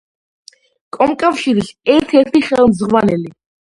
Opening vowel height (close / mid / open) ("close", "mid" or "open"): mid